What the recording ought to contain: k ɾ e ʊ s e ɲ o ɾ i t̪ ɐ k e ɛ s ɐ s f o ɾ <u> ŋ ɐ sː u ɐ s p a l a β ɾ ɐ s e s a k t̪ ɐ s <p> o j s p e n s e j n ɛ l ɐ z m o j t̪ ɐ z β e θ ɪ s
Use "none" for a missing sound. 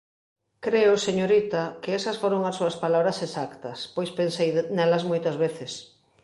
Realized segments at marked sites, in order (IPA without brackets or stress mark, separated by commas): o, p